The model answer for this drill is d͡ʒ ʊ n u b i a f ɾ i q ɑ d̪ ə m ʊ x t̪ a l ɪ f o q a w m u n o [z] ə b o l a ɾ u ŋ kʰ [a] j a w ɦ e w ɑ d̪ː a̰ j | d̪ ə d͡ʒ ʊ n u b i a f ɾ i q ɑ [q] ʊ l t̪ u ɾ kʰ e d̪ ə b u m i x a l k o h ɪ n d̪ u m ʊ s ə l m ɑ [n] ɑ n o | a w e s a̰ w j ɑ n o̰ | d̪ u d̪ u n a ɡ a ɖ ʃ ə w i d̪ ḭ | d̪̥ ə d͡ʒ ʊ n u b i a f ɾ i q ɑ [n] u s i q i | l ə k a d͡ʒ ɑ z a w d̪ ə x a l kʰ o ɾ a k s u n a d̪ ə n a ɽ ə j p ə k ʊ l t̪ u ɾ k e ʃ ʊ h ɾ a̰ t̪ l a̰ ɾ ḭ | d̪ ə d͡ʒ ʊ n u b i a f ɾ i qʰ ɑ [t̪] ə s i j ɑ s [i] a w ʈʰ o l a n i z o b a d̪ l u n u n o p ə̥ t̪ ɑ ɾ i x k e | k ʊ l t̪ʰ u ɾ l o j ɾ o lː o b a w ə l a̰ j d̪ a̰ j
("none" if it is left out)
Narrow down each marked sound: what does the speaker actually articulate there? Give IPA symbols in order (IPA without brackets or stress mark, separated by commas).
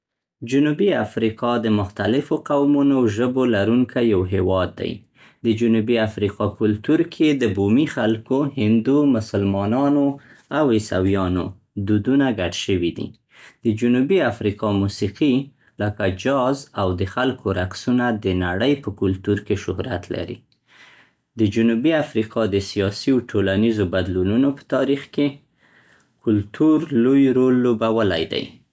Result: ʒ, a, k, n, m, d̪, i